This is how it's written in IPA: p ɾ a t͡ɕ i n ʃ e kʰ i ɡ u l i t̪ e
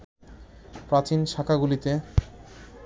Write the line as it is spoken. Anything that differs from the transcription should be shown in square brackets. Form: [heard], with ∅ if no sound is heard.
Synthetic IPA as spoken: p ɾ a t͡ɕ i n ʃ [a] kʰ [a] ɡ u l i t̪ e

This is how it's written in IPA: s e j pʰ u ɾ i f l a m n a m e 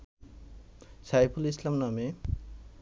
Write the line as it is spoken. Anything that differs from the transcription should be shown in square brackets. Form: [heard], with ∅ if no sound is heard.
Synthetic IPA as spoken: s [a] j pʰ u [l] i [s] l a m n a m e

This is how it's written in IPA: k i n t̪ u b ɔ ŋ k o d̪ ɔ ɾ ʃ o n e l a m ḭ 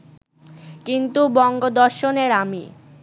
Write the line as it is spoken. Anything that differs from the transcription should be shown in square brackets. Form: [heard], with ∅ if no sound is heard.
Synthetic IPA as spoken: k i n t̪ u b ɔ ŋ [ɡ] o d̪ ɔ ɾ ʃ o n e [ɾ] a m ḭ

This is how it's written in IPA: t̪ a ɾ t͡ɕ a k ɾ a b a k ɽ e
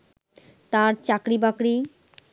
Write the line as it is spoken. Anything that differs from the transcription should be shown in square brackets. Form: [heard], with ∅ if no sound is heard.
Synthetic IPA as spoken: t̪ a ɾ t͡ɕ a k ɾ [i] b a k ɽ [i]

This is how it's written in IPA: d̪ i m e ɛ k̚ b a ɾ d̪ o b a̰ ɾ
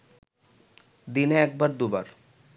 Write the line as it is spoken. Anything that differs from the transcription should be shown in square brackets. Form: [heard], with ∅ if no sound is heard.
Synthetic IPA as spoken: d̪ i [n] e ɛ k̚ b a ɾ d̪ [u] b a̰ ɾ

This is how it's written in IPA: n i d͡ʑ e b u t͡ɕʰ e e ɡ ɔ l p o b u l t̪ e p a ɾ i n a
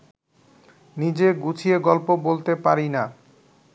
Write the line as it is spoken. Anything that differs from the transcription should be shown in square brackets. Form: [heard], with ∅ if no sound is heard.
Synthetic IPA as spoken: n i d͡ʑ e [ɡ] u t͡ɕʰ [i] e ɡ ɔ l p o b [o] l t̪ e p a ɾ i n a

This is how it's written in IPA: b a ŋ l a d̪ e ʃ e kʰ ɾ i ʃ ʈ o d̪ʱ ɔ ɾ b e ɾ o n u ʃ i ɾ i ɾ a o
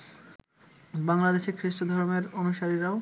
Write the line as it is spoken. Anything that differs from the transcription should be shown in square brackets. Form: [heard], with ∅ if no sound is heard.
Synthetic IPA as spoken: b a ŋ l a d̪ e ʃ e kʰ ɾ i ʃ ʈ o d̪ʱ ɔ ɾ [m] e ɾ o n u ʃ [a] ɾ i ɾ a o

